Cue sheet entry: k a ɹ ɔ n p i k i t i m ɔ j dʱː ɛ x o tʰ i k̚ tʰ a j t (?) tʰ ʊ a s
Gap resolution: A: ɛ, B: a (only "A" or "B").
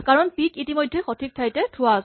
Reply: A